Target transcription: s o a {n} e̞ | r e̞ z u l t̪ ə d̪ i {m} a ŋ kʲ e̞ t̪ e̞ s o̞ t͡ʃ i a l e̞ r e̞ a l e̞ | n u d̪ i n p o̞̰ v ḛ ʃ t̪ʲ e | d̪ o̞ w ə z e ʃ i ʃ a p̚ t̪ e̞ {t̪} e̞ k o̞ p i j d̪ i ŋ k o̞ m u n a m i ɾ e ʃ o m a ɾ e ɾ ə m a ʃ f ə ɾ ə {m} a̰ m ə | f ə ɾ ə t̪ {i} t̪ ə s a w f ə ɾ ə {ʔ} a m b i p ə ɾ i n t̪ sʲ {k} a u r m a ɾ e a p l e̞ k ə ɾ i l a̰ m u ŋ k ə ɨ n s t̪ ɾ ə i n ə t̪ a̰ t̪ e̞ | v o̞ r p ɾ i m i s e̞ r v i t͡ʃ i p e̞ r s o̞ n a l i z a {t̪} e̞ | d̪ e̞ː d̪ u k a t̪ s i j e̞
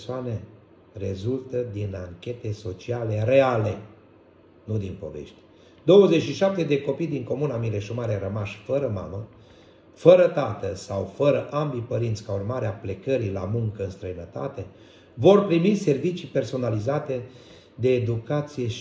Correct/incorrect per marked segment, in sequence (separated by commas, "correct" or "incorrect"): correct, incorrect, incorrect, correct, incorrect, correct, correct, correct